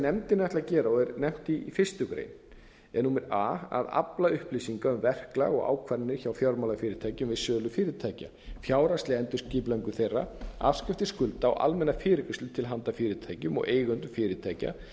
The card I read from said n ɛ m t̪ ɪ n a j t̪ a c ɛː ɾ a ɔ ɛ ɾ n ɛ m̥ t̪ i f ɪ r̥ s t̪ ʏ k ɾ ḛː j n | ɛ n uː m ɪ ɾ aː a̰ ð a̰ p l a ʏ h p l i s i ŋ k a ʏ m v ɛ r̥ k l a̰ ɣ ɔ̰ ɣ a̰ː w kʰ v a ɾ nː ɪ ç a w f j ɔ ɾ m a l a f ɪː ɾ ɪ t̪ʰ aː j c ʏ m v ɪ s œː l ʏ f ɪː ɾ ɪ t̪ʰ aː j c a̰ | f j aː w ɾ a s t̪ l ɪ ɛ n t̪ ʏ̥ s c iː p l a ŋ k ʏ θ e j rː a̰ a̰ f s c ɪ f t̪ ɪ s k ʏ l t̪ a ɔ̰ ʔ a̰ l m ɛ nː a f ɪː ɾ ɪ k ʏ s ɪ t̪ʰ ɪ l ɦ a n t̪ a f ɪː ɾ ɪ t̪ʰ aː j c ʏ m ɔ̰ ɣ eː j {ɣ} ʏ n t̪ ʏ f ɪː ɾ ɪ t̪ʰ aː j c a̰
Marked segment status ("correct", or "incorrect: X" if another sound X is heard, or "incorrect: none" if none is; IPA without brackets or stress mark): correct